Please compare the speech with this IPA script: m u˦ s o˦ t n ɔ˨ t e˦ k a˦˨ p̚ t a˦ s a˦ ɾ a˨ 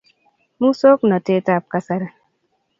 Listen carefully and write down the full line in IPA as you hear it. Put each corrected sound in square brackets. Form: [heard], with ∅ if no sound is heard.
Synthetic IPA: m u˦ s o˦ [k] n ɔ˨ t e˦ [t] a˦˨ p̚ [k] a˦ s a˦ ɾ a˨